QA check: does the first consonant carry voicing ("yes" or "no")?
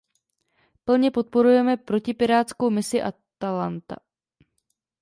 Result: no